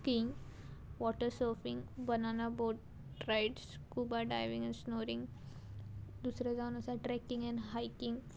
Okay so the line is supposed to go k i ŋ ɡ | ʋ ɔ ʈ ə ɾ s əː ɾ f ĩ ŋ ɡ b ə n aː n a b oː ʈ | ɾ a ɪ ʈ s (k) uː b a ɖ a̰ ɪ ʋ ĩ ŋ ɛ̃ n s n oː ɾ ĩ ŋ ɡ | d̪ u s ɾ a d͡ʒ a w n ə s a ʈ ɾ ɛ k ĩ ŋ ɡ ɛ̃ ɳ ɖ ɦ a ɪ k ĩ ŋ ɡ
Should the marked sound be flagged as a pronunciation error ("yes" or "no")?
no